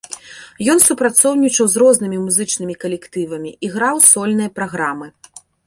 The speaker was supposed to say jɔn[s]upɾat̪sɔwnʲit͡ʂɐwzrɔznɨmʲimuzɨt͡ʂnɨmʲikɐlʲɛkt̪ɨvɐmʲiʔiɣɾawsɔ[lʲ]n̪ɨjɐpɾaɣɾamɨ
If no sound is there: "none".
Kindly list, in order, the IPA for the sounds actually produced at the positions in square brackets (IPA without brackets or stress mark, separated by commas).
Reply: s, lʲ